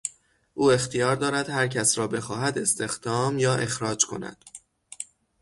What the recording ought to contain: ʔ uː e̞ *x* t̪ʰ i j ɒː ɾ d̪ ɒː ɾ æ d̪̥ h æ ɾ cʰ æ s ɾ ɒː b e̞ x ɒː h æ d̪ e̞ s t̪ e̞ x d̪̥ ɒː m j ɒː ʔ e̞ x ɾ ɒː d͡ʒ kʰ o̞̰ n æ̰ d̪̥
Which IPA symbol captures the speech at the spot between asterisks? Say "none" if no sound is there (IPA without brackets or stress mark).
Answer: x